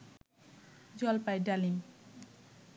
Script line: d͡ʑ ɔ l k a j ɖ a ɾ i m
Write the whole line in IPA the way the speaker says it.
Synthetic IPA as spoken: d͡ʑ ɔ l p a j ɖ a l i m